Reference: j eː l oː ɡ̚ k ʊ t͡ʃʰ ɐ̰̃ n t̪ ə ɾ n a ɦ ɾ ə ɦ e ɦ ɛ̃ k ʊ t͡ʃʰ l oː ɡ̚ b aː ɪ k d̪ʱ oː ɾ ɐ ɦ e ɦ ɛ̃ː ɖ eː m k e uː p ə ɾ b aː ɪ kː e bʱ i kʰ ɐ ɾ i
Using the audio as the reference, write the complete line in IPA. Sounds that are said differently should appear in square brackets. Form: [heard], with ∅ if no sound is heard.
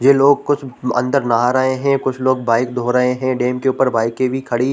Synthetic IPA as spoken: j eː l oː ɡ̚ k ʊ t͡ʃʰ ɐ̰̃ n [d̪] ə ɾ n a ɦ ɾ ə ɦ e ɦ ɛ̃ k ʊ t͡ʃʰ l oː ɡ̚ b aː ɪ k d̪ʱ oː ɾ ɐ ɦ e ɦ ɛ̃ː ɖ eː m k e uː p ə ɾ b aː ɪ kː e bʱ i kʰ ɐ [ɽ] i